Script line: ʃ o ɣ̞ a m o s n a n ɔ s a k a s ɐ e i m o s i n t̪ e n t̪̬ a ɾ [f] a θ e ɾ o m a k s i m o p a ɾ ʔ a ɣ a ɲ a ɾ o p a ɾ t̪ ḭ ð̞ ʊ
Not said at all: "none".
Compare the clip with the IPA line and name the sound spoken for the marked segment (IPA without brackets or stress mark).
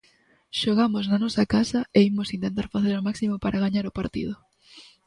f